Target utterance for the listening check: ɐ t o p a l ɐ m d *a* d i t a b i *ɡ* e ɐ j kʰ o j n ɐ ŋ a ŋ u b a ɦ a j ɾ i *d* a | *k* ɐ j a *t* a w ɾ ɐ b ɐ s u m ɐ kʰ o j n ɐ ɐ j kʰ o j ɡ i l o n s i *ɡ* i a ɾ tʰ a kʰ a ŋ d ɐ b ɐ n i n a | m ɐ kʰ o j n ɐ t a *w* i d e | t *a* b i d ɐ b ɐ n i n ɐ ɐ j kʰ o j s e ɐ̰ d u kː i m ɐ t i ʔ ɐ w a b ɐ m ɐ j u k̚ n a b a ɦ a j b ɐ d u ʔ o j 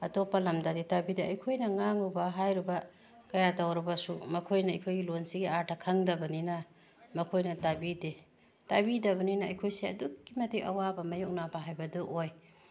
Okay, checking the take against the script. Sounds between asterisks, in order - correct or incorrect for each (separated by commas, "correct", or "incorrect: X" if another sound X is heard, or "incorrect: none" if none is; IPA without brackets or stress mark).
correct, incorrect: d, incorrect: b, correct, correct, correct, incorrect: b, correct